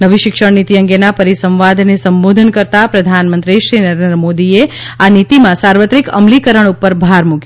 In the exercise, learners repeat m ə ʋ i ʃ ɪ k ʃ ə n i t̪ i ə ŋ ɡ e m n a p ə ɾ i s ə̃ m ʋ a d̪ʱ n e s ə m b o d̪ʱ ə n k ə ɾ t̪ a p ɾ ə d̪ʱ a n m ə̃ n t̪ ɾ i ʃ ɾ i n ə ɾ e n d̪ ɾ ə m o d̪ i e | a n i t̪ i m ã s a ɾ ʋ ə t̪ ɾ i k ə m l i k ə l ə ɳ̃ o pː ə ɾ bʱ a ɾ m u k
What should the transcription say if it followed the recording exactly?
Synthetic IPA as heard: n ə ʋ i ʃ ɪ k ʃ ə n i t̪ i ə ŋ ɡ e n a p ə ɾ i s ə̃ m ʋ a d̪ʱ n e s ə m b o d̪ʱ ə n k ə ɾ t̪ a p ɾ ə d̪ʱ a n m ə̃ n t̪ ɾ i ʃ ɾ i n ə ɾ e n d̪ ɾ ə m o d̪ i e | a n i t̪ i m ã s a ɾ ʋ ə t̪ ɾ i k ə m l i k ə ɾ ə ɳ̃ u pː ə ɾ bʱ a ɾ m u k